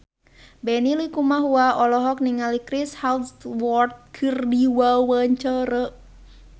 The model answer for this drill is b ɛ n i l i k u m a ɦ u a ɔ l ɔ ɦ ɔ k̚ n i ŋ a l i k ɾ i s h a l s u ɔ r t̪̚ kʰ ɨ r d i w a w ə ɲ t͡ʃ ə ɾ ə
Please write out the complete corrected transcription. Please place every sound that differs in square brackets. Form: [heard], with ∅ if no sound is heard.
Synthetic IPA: b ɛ n i l i k u m a ɦ u a ɔ l ɔ ɦ ɔ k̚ n i ŋ a l i k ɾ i s h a l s [w] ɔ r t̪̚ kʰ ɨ r d i w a w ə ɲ t͡ʃ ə ɾ ə